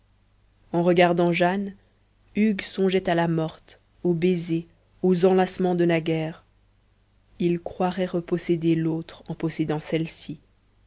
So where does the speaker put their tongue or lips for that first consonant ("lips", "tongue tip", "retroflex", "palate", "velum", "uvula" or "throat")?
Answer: uvula